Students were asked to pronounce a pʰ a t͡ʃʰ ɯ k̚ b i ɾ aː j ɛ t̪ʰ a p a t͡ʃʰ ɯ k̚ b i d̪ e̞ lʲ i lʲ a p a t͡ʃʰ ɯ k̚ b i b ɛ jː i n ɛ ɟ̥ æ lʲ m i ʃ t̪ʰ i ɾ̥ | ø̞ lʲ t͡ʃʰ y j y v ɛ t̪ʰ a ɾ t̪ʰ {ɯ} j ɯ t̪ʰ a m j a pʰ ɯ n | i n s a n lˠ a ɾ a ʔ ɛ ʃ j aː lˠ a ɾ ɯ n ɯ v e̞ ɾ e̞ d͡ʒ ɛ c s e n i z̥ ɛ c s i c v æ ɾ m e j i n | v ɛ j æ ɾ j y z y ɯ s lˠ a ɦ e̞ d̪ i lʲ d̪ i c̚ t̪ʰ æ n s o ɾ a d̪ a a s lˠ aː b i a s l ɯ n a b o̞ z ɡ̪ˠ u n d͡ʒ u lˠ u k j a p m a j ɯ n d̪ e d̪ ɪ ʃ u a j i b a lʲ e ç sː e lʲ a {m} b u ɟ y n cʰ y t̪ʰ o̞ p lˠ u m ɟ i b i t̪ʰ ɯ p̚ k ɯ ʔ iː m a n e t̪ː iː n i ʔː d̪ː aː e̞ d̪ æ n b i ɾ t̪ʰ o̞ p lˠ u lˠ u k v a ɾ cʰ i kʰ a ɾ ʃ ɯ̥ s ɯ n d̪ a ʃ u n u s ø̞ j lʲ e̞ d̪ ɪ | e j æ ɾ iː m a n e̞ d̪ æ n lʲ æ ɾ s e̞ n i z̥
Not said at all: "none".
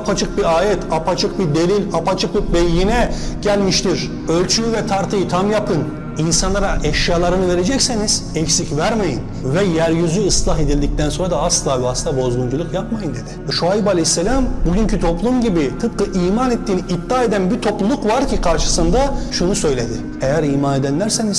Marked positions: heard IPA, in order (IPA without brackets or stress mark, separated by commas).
ɯ, m